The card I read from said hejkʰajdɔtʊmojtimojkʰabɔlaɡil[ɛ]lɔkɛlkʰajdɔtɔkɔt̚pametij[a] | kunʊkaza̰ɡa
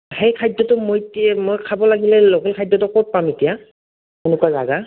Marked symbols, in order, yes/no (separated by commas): yes, yes